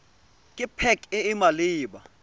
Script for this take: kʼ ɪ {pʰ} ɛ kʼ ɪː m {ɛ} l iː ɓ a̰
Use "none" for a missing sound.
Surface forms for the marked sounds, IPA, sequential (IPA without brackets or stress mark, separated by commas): pʰ, a